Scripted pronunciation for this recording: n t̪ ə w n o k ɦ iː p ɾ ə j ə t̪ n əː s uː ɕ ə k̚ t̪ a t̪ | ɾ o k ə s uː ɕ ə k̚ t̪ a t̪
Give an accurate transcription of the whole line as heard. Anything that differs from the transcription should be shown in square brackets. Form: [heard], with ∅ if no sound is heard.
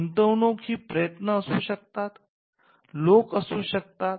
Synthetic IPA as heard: n t̪ ə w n o k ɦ iː p ɾ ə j ə t̪ n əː s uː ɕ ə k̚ t̪ a t̪ | [l] o k ə s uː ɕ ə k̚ t̪ a t̪